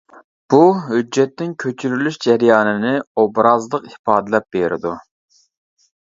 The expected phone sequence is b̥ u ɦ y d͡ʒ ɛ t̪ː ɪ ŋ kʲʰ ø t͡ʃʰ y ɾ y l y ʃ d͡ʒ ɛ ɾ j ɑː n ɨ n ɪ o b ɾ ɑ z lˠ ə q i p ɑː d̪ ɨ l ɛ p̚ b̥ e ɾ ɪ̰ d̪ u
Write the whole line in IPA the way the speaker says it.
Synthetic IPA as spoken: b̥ u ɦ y d͡ʒː ɛ t̪ː ɪ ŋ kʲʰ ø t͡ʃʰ y ɾ y l y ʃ d͡ʒ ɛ ɾ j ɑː n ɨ n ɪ o b ɾ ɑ z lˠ ə q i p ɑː d̪ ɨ l ɛ p̚ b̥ e ɾ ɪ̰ d̪ u